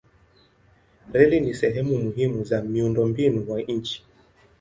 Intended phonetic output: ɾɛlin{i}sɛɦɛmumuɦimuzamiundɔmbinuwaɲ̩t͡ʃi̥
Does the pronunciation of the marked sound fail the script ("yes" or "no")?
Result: no